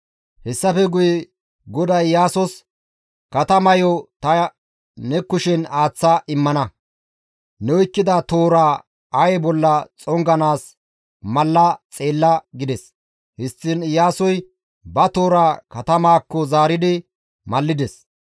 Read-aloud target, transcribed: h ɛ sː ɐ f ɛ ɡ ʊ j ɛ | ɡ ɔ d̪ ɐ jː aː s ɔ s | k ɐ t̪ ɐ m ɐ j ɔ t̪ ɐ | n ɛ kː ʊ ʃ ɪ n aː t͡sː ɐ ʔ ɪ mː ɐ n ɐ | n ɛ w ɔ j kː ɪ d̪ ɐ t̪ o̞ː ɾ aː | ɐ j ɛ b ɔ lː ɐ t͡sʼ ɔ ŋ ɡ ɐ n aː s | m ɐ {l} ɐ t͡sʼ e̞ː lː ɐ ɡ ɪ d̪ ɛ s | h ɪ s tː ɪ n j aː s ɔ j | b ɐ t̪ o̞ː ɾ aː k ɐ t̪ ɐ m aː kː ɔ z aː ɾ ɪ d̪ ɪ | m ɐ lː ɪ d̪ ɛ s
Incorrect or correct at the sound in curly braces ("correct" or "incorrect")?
incorrect